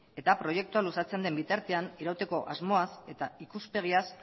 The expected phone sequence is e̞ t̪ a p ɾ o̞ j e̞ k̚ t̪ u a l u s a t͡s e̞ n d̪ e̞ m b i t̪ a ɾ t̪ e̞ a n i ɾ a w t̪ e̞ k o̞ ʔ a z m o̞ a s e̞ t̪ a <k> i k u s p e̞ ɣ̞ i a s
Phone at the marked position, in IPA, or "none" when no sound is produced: none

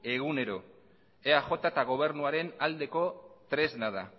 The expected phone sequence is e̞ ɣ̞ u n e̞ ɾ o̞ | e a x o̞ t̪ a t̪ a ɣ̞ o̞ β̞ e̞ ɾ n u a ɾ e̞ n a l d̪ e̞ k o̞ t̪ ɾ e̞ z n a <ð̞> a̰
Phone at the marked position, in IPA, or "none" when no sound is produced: ð̞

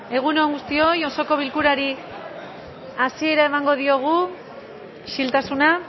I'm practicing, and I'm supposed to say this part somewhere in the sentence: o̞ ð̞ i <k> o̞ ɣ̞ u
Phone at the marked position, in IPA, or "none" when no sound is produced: none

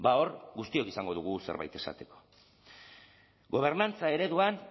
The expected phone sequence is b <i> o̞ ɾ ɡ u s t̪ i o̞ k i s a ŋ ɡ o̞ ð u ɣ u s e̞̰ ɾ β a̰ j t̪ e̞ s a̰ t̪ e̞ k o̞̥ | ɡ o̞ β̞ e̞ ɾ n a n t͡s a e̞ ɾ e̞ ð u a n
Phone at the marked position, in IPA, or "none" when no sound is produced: a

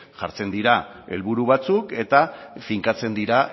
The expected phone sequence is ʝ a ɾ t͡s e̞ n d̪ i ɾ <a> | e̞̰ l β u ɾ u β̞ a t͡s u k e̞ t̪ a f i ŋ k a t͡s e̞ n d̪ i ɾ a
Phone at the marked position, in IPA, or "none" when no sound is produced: a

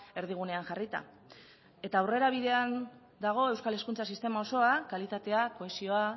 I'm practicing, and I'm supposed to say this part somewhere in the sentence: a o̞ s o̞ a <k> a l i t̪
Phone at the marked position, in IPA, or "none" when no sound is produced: k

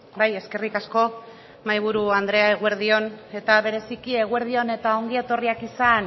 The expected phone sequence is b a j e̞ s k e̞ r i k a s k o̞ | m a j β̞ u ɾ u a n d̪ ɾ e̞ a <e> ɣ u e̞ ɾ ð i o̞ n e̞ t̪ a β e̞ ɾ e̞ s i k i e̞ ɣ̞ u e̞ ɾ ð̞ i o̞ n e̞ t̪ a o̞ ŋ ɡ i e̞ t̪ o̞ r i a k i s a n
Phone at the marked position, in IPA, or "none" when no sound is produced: e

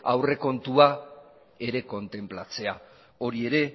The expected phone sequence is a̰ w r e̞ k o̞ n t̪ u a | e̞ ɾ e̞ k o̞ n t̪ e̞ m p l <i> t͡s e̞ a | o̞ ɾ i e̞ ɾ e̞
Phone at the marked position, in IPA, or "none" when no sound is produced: a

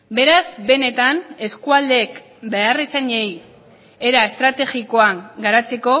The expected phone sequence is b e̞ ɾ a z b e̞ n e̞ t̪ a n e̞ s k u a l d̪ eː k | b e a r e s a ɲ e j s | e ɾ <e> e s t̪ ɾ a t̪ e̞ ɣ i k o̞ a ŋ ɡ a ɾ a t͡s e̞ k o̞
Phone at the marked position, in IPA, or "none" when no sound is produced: a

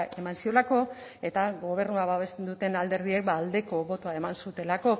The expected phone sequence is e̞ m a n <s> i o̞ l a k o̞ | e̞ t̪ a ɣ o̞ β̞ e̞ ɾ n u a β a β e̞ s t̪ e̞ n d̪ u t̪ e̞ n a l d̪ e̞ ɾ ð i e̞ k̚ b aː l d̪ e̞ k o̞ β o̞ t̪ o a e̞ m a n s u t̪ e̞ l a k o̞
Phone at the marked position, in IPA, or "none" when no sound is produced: s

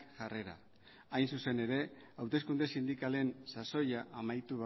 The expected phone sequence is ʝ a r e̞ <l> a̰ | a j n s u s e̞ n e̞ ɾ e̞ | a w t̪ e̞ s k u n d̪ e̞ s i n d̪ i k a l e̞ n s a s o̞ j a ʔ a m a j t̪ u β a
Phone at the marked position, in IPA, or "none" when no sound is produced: ɾ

